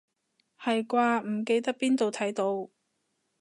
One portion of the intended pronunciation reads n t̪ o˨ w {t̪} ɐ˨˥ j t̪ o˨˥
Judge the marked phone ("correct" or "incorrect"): incorrect